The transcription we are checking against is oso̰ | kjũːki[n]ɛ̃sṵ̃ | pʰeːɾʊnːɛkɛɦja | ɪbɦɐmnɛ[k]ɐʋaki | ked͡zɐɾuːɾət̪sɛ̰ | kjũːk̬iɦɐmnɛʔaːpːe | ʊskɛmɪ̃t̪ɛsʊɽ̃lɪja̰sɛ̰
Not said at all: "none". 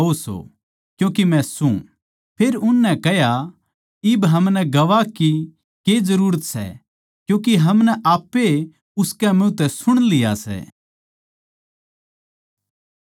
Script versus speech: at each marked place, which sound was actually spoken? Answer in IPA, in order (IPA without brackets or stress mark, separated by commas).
m, ɡ